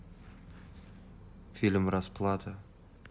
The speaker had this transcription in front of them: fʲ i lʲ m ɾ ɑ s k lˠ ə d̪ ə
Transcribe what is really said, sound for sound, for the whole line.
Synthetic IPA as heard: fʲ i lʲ m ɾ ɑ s p lˠ ɑ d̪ ə